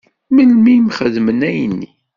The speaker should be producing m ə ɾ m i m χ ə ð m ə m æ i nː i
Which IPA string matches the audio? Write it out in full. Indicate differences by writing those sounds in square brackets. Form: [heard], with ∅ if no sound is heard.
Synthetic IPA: m ə [l] m i m χ ə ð m ə [n] æ [j] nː i

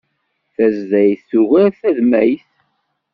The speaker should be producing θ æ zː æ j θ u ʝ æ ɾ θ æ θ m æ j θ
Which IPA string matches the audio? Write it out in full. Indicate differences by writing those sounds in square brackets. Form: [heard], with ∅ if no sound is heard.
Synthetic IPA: θ æ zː æ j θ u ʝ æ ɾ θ æ [ð] m æ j θ

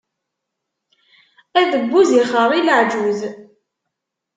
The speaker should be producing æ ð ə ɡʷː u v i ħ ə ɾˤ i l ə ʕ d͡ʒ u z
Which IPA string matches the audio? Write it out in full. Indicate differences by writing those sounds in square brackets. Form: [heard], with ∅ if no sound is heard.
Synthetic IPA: æ ð ə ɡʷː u [z] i [χ] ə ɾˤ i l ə ʕ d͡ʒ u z

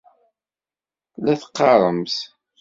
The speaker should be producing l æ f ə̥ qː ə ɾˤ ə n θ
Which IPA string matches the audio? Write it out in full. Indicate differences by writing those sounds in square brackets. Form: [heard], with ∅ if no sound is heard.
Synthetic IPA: l æ [θ] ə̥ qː [ɑ] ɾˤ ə [m] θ

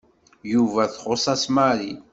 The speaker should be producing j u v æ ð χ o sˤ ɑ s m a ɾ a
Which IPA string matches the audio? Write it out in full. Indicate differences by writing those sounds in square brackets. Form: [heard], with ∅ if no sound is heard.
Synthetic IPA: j u v æ [θ] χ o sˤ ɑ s m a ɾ [i]

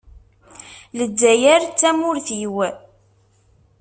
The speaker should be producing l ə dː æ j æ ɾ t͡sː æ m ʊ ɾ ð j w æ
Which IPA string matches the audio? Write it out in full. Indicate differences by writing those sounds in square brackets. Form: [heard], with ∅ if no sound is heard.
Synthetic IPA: l ə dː æ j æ ɾ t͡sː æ m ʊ ɾ [θ] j w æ

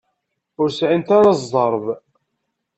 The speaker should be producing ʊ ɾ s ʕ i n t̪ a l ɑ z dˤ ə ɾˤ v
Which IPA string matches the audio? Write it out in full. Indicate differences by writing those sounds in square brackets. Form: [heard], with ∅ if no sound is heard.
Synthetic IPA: ʊ ɾ s ʕ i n t̪ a [ɾ] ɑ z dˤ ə ɾˤ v

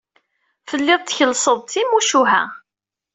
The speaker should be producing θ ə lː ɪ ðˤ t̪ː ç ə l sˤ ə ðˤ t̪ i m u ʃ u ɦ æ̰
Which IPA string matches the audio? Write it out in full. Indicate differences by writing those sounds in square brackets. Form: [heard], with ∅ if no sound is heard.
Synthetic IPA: [f] ə lː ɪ ðˤ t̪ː ç ə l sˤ ə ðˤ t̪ i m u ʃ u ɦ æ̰

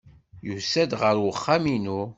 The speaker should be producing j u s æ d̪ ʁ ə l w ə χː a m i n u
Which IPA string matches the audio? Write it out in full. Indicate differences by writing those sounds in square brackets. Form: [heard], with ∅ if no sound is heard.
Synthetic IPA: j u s æ d̪ ʁ ə [ɾ] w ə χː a m i n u

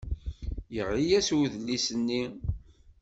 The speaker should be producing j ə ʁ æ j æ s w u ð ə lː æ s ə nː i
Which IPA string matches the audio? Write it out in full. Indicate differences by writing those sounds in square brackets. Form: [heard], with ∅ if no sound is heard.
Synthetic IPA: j ə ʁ [i] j æ s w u ð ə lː [i] s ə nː i

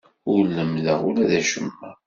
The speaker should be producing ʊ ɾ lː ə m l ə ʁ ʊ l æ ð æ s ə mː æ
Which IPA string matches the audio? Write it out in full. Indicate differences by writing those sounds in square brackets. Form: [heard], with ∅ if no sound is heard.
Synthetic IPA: ʊ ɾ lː ə m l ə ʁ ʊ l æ ð æ [ʃ] ə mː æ

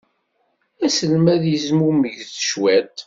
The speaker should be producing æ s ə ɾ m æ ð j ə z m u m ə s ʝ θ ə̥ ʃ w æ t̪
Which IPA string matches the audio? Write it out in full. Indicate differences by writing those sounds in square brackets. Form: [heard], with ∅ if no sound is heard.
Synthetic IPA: æ s ə [l] m æ ð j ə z m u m ə [∅] ʝ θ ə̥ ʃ w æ t̪

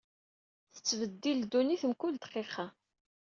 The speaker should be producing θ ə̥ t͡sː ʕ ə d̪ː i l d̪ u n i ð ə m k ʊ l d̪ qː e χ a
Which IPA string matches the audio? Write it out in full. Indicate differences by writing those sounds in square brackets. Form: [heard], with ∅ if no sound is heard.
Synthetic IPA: θ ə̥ t͡sː [v] ə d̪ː i l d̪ u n i [θ] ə m k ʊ l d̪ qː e χ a

